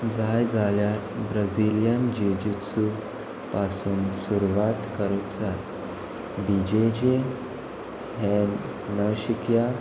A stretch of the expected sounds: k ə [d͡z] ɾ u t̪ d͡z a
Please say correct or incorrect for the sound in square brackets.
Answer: incorrect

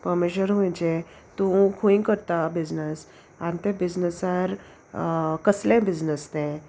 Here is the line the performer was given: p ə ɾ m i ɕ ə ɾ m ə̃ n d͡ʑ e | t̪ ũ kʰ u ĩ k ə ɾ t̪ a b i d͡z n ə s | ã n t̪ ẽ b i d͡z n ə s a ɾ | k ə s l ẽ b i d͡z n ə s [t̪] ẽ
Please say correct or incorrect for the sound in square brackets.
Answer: correct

